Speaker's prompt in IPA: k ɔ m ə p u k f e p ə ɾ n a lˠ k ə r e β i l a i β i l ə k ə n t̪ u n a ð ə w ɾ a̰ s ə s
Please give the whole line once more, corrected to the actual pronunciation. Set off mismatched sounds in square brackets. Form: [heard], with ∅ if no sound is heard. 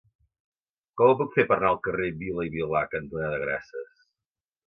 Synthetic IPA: k ɔ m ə p u k f e p ə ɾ n a lˠ k ə r e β i l [ə] i β i l [a] k ə n t̪ u n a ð ə [ɣ] ɾ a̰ s ə s